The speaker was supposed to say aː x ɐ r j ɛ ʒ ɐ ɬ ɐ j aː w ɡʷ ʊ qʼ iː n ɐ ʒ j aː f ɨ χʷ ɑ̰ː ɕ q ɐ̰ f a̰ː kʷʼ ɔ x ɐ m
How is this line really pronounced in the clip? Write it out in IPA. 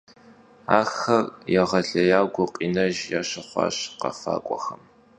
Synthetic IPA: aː x ɐ r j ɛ ʁ ɐ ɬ ɐ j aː w ɡʷ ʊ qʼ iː n ɐ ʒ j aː ɕ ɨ χʷ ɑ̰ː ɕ q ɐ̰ f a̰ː kʷʼ ɔ x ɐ m

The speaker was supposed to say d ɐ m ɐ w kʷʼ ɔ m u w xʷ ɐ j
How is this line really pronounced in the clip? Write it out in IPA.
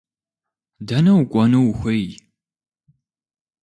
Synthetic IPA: d ɐ n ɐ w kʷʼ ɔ n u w xʷ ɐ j

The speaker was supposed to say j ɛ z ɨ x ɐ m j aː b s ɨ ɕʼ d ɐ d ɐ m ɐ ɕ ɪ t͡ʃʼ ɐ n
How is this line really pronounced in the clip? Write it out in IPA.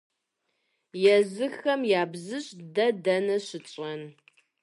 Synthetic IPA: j ɛ z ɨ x ɐ m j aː b z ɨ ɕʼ d ɐ d ɐ n ɐ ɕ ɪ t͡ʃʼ ɐ n

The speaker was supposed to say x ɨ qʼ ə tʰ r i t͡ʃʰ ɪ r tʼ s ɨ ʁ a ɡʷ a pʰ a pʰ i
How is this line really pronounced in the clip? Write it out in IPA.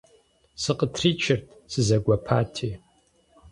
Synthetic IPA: s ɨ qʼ ə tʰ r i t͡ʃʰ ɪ r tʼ s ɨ z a ɡʷ a pʰ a tʰ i

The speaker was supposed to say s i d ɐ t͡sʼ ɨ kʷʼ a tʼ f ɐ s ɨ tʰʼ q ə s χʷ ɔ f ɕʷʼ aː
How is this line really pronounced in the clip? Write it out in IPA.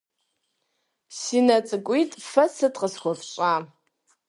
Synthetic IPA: s i n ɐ t͡sʼ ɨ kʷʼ i tʼ f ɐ s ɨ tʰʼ q ə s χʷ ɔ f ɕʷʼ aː

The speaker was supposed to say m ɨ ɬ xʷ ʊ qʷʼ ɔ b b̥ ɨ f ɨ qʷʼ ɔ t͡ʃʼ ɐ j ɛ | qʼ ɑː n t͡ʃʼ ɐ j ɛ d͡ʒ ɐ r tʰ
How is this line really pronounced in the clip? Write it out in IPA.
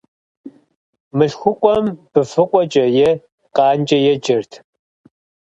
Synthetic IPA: m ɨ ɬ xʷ ʊ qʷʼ ɔ m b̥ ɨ f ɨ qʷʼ ɔ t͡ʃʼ ɐ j ɛ | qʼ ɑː n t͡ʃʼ ɐ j ɛ d͡ʒ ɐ r tʰ

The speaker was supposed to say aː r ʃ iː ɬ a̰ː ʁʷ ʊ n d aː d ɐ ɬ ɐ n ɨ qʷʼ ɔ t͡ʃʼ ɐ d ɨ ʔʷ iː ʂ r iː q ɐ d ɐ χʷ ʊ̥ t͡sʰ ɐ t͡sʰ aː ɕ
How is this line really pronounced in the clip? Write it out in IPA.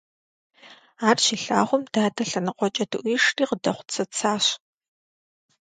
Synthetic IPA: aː r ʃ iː ɬ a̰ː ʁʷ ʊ m d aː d ɐ ɬ ɐ n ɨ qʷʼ ɔ t͡ʃʼ ɐ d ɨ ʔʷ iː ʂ r iː q ə d ɐ χʷ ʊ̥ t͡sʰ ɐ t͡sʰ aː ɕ

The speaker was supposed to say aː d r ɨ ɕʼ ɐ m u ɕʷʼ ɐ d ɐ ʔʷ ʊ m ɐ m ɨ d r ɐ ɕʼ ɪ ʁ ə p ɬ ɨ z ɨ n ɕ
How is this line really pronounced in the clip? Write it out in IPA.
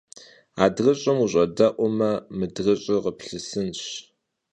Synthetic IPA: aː d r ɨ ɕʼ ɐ m u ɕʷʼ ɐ d ɐ ʔʷ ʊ m ɐ m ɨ d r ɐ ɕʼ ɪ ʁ ə p ɬ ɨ s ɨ n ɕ

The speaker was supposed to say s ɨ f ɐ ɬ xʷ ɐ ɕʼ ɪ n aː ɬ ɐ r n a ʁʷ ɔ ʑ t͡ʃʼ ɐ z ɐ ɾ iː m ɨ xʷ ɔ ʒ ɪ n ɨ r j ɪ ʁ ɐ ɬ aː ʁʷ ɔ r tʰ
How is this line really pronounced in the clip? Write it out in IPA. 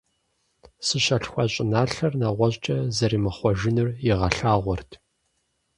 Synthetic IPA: s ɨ ɕ ɐ ɬ xʷ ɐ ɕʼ ɪ n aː ɬ ɐ r n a ʁʷ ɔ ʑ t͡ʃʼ ɐ z ɐ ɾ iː m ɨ χʷ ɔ ʒ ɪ n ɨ r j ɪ ʁ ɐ ɬ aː ʁʷ ɔ r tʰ

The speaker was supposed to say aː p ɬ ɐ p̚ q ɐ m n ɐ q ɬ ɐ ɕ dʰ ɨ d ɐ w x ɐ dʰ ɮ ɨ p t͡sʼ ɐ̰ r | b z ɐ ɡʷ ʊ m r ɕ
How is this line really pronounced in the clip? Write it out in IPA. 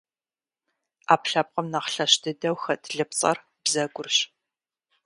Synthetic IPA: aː p ɬ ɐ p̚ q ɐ m n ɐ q ɬ ɐ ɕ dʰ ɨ d ɐ w x ɐ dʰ ɮ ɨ p t͡sʼ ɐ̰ r | b z ɐ ɡʷ ʊ r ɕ

